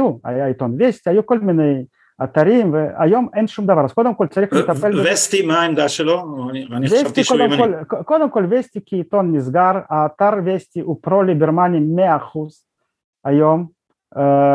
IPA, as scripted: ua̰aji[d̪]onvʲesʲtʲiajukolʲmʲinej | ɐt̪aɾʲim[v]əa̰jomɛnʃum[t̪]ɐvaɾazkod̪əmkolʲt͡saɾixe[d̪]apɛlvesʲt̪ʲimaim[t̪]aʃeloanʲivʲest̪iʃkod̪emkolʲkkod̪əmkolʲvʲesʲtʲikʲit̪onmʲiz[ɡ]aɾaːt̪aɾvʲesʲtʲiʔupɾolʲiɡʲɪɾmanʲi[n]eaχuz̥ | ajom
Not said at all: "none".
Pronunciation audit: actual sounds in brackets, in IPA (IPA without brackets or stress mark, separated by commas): t̪, v, d̪, t̪, d̪, ɡ, m